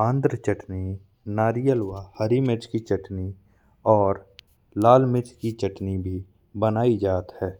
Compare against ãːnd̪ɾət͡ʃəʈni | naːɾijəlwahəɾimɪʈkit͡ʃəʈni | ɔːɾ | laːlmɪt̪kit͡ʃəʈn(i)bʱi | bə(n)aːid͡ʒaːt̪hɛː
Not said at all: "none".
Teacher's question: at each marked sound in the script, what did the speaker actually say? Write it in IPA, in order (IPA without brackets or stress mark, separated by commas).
i, n